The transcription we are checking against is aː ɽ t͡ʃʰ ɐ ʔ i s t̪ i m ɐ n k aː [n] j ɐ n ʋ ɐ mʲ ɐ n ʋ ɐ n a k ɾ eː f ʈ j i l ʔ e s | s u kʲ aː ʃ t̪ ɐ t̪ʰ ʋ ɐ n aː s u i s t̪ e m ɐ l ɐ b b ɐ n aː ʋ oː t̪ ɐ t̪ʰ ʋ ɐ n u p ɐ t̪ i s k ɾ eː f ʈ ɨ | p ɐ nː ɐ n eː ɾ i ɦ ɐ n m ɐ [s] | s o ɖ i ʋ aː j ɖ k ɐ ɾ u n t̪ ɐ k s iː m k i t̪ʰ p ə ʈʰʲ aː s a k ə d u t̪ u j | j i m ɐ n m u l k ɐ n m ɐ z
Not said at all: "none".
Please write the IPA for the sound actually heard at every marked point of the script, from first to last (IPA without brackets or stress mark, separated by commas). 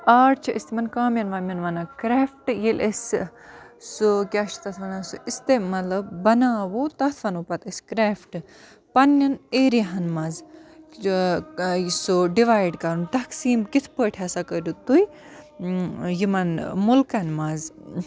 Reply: m, z